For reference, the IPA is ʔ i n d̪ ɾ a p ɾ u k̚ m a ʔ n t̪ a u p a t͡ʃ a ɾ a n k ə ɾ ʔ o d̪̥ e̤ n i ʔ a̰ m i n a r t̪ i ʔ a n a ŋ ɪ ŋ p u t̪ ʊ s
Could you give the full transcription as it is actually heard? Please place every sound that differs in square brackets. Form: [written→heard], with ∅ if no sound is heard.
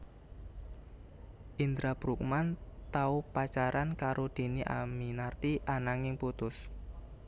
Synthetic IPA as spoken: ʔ i n d̪ ɾ a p ɾ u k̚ m a [ʔ→∅] n t̪ a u p a t͡ʃ a ɾ a n k [ə→a] ɾ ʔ o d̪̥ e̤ n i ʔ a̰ m i n a r t̪ i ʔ a n a ŋ ɪ ŋ p u t̪ ʊ s